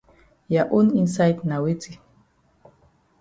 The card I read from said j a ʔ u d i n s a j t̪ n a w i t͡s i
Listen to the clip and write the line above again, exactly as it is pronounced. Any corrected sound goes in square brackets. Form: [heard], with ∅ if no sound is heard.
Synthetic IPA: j a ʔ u [n] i n s a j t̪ n a w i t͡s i